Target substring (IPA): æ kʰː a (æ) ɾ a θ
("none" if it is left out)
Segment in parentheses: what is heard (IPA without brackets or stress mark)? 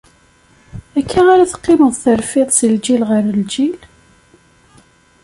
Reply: a